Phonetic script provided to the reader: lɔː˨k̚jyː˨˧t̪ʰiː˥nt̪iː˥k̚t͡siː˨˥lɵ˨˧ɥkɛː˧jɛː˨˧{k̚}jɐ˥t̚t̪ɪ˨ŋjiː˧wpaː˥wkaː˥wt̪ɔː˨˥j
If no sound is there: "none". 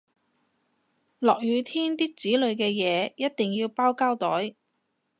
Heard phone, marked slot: none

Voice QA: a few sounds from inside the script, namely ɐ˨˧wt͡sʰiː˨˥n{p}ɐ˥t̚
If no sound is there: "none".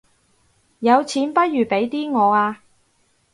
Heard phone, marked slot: p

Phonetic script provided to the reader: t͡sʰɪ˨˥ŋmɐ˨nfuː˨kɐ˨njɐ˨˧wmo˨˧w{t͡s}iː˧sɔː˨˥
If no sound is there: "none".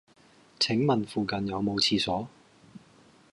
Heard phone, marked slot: t͡sʰ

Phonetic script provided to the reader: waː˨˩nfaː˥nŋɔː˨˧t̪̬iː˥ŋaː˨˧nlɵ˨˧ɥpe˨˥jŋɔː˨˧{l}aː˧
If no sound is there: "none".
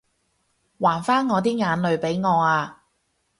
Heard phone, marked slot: none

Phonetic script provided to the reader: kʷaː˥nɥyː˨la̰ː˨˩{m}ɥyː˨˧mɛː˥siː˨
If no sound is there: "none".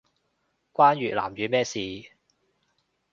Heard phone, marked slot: m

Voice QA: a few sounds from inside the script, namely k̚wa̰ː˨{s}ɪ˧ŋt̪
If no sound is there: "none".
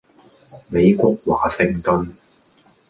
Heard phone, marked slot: s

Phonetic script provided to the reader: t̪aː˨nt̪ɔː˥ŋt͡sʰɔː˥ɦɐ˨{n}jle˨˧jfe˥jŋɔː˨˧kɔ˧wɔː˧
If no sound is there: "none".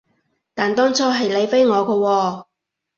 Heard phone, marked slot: none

